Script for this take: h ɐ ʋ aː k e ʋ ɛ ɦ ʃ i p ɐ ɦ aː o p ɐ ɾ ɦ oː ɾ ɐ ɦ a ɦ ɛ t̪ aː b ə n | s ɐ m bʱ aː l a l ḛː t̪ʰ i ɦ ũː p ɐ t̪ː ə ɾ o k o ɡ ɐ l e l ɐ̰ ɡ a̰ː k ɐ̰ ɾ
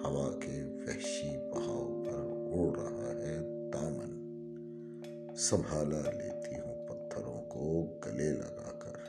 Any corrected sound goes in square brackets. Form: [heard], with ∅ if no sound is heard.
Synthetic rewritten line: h ɐ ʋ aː k e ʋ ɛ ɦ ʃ i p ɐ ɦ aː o p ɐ ɾ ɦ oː ɾ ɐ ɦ a ɦ ɛ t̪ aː [m] ə n | s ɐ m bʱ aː l a l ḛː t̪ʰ i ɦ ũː p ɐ [t̪ʰː] ə ɾ [õ] k o ɡ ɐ l e l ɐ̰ ɡ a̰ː k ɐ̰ ɾ